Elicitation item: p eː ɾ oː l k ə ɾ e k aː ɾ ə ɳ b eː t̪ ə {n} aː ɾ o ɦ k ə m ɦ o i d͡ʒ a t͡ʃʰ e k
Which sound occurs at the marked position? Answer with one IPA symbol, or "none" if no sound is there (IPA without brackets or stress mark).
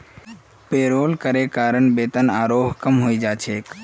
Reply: n